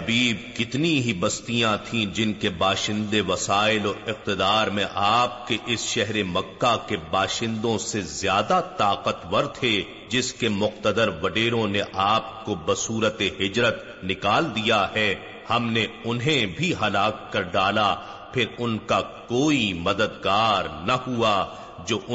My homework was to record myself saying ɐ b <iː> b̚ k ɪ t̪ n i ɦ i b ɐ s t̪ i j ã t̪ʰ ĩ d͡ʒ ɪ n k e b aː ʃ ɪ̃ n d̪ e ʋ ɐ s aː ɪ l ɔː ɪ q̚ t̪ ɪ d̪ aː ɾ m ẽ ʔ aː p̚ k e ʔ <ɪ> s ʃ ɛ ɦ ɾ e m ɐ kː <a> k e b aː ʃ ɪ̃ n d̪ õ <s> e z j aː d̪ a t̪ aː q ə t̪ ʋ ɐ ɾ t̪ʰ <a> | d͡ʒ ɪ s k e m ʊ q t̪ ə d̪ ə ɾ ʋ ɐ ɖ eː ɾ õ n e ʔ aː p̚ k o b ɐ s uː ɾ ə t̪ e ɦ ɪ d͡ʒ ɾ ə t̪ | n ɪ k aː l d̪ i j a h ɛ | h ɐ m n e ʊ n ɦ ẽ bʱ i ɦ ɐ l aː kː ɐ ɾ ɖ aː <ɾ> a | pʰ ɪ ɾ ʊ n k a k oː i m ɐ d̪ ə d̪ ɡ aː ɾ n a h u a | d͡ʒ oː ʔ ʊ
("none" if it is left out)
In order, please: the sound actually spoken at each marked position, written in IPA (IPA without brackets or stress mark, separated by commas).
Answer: iː, ɪ, a, s, e, l